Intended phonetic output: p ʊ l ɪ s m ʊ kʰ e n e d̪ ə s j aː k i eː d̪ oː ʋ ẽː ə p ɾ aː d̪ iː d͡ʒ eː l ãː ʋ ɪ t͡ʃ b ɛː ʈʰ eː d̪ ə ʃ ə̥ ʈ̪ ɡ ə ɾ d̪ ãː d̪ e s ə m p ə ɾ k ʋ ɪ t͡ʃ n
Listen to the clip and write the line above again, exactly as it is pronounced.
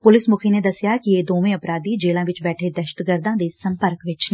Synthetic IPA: p ʊ l ɪ s m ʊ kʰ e n e d̪ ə s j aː k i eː d̪ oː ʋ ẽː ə p ɾ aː d̪ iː d͡ʒ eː l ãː ʋ ɪ t͡ʃ b ɛː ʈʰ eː d̪ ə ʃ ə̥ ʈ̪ ɡ ə ɾ d̪ ãː d̪ e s ə m p ə ɾ k ʋ ɪ t͡ʃ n